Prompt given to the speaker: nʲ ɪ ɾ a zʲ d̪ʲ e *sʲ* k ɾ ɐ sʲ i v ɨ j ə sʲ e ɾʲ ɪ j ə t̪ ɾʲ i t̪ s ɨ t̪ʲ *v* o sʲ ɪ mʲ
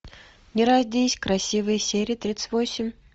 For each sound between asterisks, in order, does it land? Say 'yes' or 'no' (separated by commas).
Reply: yes, yes